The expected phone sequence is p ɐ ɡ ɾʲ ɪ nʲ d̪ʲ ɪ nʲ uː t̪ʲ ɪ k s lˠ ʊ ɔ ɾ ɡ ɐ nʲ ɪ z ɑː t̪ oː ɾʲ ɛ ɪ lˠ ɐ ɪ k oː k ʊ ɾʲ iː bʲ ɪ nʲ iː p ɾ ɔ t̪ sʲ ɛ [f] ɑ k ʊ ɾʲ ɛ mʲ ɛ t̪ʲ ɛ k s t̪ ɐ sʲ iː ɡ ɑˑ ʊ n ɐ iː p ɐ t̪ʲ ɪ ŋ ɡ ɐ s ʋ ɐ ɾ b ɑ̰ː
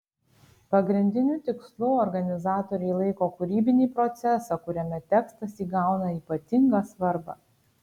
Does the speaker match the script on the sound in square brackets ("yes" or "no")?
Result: no